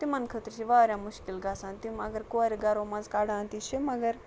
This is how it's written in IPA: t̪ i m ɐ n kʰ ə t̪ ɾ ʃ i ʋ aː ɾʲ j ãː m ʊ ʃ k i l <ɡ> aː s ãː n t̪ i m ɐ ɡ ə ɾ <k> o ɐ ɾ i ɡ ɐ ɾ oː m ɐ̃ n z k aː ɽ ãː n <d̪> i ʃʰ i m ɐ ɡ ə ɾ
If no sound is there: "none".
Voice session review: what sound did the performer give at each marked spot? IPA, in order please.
ɡ, k, t̪

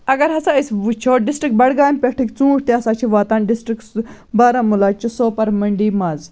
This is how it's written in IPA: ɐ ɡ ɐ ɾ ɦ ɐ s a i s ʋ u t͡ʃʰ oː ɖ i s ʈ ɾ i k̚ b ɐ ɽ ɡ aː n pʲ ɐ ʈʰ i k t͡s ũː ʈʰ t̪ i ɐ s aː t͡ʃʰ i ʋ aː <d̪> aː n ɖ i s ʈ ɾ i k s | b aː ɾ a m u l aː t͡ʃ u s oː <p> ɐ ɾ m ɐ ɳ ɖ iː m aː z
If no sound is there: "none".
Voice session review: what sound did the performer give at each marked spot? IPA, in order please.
t̪, p

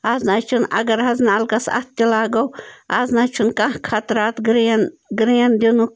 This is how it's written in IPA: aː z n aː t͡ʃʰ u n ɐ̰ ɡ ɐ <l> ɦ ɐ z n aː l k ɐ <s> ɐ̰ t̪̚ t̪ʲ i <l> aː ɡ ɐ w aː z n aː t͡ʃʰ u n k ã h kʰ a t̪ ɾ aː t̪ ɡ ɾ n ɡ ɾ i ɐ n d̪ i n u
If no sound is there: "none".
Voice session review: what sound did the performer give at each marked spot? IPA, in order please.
ɾ, s, l

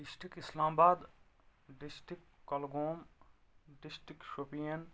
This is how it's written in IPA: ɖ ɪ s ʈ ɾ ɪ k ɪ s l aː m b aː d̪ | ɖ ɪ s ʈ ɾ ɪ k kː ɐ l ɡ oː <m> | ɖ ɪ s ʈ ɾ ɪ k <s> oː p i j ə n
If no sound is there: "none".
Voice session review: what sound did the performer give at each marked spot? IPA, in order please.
m, ʃ

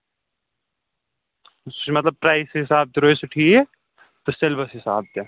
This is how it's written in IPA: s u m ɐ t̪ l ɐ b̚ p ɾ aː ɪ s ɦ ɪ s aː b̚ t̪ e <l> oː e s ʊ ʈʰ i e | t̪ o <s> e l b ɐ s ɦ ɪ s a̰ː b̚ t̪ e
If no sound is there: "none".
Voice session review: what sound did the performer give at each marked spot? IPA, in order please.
ɾ, s

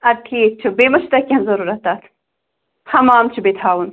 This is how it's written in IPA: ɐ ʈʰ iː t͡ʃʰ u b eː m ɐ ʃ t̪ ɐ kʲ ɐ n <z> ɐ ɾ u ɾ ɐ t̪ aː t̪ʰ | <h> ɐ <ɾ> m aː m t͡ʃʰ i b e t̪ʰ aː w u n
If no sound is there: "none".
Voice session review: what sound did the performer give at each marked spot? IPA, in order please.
z, h, none

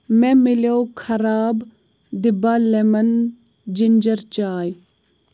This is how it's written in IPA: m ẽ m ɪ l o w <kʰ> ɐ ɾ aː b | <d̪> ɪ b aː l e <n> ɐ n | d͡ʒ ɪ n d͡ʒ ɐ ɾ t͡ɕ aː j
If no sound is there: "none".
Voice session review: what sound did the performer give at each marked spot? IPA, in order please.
kʰ, d̪, m

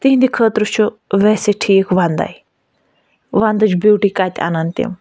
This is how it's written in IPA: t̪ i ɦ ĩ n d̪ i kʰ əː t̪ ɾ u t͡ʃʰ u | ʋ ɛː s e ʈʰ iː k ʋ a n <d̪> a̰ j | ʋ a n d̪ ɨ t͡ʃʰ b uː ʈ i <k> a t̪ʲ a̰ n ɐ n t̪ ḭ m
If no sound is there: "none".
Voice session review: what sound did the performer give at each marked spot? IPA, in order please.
d̪, k

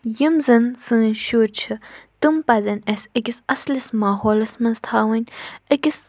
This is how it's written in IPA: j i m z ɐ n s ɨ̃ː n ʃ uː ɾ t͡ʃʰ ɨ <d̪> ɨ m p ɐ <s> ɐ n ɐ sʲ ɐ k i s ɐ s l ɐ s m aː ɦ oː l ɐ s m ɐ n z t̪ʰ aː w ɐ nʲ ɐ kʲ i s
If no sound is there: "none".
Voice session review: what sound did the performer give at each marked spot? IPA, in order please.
t̪, z

